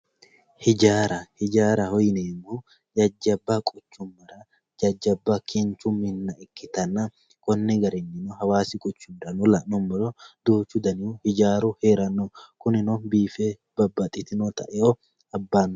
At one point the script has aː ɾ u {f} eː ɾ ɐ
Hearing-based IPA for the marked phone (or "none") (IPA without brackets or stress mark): h